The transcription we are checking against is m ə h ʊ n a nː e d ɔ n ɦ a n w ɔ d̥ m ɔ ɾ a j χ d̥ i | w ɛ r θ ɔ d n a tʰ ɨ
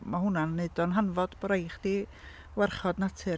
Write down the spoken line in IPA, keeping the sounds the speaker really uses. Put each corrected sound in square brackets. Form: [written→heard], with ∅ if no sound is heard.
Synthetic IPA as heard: m [ə→a] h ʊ n a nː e d ɔ n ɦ a n [w→v] ɔ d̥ [m→b] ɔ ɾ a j χ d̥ i | w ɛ r [θ→χ] ɔ d n a tʰ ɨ